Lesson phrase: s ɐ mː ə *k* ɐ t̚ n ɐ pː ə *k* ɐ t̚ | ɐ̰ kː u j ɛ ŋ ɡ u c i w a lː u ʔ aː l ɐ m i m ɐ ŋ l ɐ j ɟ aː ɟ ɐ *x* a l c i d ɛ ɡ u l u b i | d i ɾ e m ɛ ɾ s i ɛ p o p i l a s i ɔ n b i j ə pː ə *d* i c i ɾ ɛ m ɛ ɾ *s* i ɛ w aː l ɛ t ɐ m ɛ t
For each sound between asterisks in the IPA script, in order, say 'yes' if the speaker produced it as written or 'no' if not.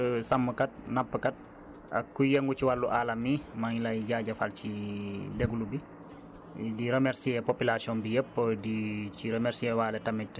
yes, yes, no, yes, yes

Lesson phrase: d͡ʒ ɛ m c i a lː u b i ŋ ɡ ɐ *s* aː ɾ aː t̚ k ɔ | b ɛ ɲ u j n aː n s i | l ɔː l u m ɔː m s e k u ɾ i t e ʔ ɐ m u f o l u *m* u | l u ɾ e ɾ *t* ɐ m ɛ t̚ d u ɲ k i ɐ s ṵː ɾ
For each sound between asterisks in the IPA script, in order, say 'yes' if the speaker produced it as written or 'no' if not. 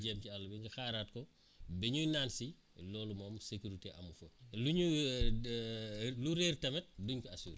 no, no, yes

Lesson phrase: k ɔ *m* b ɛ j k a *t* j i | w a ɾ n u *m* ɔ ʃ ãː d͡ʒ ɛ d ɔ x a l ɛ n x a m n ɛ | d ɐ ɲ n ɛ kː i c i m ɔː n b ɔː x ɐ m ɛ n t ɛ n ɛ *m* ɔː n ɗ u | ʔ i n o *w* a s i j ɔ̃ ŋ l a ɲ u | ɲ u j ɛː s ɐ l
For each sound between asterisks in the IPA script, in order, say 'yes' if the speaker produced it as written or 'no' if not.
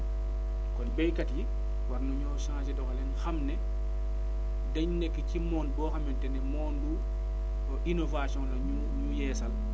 no, yes, no, yes, no

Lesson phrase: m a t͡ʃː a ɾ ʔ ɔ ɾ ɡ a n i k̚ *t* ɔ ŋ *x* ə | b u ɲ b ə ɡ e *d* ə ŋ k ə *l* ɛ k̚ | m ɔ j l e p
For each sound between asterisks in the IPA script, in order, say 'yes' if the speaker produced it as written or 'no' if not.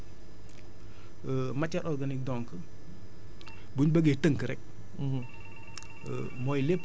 no, no, no, no

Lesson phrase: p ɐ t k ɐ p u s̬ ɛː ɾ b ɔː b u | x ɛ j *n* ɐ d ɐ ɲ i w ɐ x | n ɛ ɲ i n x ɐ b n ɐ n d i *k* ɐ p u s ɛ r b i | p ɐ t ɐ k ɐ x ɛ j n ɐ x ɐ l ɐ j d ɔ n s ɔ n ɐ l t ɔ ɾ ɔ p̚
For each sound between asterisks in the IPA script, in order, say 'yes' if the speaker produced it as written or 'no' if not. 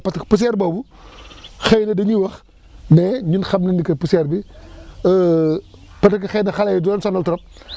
yes, yes

